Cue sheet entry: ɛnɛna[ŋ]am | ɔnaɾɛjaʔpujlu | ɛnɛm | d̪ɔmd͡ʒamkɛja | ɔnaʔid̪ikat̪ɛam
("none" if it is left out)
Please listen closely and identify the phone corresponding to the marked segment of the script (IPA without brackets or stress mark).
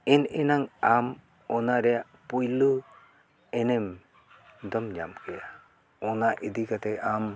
ŋ